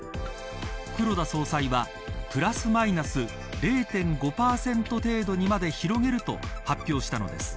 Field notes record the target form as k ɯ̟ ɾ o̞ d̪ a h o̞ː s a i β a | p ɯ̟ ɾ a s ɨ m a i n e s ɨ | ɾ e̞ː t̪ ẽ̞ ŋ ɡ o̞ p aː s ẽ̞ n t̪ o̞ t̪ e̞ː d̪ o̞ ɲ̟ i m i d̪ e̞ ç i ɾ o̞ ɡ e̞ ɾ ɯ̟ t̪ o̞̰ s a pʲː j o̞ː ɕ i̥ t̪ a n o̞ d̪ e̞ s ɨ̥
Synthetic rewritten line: k ɯ̟ ɾ o̞ d̪ a s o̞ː s a i β a | p ɯ̟ ɾ a s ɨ m a i n a s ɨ | ɾ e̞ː t̪ ẽ̞ ŋ ɡ o̞ p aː s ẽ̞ n t̪ o̞ t̪ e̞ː d̪ o̞ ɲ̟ i m a d̪ e̞ ç i ɾ o̞ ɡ e̞ ɾ ɯ̟ t̪ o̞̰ h a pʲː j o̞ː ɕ i̥ t̪ a n o̞ d̪ e̞ s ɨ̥